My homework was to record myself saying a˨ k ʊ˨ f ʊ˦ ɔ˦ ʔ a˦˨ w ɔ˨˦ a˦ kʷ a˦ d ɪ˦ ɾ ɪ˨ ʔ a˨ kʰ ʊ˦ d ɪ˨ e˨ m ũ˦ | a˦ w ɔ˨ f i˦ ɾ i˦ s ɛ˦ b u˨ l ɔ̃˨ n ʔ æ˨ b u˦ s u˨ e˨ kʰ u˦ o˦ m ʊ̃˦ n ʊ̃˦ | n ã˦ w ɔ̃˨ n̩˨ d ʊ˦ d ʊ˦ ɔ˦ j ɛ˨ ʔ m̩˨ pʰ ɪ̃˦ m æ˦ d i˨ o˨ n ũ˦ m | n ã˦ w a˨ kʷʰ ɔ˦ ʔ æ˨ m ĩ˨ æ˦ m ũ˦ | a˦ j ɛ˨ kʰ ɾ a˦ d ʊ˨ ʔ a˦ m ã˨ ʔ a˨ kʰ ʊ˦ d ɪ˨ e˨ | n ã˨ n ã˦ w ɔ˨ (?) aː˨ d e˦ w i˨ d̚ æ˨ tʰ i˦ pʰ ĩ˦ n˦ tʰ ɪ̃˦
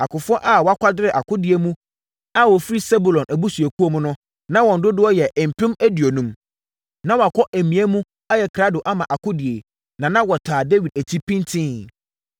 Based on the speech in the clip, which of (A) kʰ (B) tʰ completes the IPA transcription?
B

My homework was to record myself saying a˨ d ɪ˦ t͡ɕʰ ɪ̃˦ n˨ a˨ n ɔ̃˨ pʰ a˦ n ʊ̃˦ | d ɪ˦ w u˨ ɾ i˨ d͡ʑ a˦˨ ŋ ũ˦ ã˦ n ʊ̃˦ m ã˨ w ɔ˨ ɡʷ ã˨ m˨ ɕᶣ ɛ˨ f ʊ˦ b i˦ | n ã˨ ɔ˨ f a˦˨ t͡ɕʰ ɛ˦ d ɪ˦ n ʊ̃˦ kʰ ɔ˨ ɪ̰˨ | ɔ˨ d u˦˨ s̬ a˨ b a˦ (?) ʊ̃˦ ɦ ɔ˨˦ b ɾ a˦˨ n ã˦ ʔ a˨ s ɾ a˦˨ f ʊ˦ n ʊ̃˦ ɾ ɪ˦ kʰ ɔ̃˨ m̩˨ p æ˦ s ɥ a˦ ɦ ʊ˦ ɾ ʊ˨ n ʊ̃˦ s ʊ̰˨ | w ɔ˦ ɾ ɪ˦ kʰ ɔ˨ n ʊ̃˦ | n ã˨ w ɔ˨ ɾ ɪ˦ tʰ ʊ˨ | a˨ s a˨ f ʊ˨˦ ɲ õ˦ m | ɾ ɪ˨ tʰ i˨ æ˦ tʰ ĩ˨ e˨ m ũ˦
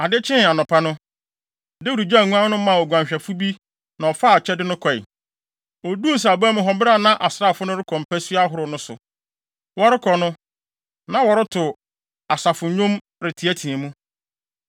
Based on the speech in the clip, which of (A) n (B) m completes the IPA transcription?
B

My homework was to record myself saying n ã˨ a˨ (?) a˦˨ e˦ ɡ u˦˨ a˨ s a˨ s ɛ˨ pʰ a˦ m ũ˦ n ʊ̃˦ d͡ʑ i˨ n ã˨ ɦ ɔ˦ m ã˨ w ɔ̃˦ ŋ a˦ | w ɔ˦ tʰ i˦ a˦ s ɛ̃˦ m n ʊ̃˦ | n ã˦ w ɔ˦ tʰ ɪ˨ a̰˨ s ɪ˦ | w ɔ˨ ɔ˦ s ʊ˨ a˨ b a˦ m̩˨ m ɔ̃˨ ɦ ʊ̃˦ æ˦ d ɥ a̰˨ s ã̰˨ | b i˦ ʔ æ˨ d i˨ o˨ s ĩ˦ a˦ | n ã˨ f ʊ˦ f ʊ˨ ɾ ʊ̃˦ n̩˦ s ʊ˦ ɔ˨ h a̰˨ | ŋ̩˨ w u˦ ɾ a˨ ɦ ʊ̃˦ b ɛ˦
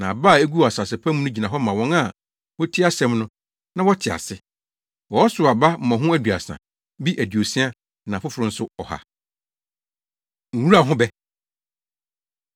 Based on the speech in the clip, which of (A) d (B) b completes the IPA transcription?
B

